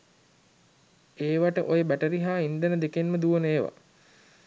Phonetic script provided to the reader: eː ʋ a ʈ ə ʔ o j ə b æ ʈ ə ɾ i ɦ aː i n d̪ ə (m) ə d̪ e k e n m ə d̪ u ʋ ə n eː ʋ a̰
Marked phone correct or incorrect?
incorrect